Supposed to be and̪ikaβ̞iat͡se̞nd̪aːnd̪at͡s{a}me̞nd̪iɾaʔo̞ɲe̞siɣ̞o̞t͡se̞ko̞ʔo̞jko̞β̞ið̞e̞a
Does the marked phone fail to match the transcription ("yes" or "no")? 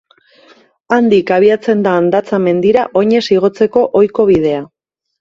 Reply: no